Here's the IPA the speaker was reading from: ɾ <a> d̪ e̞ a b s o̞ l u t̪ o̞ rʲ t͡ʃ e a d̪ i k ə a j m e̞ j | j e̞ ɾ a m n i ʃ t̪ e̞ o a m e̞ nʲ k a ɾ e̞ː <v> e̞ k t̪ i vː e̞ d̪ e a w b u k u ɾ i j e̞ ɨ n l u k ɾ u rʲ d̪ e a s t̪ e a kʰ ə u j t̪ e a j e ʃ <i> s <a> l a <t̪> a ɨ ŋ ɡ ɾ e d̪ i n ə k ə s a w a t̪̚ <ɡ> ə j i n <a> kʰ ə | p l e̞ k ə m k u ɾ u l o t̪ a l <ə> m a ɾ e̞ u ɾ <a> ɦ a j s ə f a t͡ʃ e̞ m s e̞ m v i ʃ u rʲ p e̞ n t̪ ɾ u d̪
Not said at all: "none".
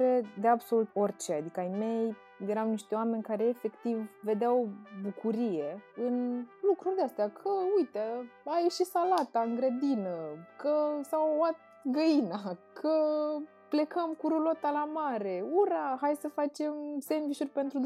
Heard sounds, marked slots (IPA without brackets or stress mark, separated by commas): e, f, i, a, t̪, ɡ, a, a, a